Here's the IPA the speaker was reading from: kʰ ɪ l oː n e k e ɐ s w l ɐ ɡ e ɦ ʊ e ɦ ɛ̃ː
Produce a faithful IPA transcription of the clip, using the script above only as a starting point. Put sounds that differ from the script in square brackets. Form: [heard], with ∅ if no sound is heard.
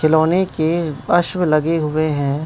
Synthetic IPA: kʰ ɪ l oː n e k e ɐ [ʃ] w l ɐ ɡ e ɦ ʊ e ɦ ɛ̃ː